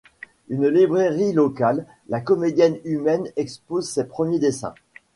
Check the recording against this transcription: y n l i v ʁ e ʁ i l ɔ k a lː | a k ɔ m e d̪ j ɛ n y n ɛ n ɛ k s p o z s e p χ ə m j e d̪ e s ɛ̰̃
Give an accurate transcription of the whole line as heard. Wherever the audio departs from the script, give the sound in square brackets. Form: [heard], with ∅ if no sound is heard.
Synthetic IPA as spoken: y n l i [b] ʁ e ʁ i l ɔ k a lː | a k ɔ m e d̪ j ɛ n y [m] ɛ n ɛ k s p o z s e p χ ə m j e d̪ e s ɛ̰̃